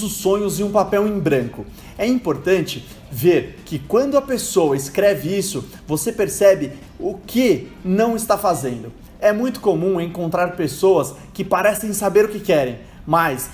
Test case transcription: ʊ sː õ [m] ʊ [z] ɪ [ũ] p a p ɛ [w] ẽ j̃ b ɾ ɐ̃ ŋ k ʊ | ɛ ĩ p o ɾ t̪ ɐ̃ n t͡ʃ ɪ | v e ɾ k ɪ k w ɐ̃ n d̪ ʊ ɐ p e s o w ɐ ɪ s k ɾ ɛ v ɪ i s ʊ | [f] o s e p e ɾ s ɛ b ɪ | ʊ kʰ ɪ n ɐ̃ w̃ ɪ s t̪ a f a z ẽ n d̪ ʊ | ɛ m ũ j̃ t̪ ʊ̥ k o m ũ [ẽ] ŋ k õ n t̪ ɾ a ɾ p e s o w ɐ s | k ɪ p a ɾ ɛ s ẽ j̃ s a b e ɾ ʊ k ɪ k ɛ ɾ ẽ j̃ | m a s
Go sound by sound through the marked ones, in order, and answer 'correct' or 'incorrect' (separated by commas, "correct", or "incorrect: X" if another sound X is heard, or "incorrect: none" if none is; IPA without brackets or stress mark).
incorrect: ɲ, correct, correct, correct, incorrect: v, correct